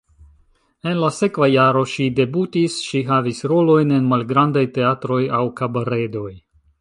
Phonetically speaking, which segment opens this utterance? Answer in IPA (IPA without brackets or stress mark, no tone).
e̞